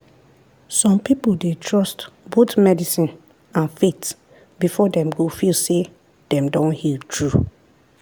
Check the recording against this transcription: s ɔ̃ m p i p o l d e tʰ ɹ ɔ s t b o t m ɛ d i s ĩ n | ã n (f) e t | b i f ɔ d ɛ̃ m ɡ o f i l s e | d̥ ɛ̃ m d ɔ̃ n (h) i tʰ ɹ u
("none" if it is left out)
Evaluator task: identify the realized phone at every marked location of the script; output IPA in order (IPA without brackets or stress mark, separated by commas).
f, h